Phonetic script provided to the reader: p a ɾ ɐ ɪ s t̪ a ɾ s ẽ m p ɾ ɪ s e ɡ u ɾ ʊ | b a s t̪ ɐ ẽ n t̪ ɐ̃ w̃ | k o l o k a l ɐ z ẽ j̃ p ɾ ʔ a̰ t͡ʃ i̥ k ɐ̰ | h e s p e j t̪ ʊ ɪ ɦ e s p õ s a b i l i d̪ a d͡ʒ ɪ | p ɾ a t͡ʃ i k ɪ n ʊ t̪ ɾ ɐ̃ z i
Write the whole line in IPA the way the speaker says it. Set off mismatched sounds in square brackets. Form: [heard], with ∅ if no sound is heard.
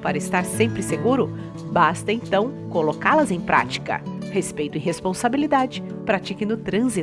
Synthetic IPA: p a ɾ ɐ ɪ s t̪ a ɾ s ẽ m p ɾ ɪ s e ɡ u ɾ ʊ | b a s t̪ ɐ ẽ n t̪ ɐ̃ w̃ | k o l o k a l ɐ z ẽ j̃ p ɾ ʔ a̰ t͡ʃ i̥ k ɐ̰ | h e s p e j t̪ ʊ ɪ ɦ e s p õ s a b i l i d̪ a d͡ʒ ɪ | p ɾ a t͡ʃ i k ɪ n ʊ t̪ ɾ ɐ̃ z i